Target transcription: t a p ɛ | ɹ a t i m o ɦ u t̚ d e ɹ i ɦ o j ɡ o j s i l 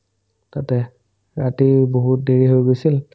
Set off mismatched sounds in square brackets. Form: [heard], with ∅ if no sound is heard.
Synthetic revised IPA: t a [t] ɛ | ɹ a t i [b] o ɦ u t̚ d e ɹ i ɦ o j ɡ o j s i l